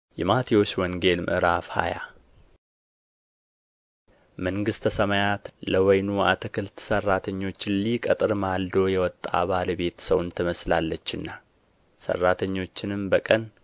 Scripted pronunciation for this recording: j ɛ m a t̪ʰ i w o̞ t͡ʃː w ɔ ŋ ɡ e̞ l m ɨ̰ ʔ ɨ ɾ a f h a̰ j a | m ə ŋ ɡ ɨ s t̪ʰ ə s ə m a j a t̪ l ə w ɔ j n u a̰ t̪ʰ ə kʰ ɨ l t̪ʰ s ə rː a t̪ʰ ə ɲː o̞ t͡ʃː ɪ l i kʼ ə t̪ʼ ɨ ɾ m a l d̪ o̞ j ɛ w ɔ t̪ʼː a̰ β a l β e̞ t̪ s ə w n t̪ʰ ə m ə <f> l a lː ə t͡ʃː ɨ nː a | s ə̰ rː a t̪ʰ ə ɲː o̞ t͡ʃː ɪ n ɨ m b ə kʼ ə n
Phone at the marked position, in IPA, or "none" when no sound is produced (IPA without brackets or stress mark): s